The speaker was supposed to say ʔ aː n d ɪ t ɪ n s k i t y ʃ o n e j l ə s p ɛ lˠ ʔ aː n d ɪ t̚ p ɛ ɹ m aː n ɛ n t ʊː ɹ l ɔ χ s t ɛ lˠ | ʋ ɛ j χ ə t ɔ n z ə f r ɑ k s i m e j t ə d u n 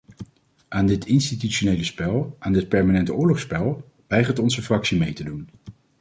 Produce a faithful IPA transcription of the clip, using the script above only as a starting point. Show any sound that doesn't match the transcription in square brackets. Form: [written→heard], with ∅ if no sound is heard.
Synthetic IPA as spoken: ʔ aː n d ɪ t ɪ n s [k→t] i t y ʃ o n e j l ə s p ɛ lˠ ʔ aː n d ɪ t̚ p ɛ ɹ m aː n ɛ n t ʊː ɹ l ɔ χ s [t→p] ɛ lˠ | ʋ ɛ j χ ə t ɔ n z ə f r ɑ k s i m e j t ə d u n